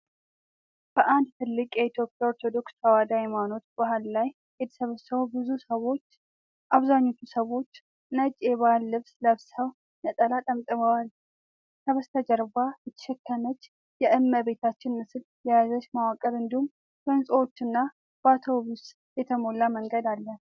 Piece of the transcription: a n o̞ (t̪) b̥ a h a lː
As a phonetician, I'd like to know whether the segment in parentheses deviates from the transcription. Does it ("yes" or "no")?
no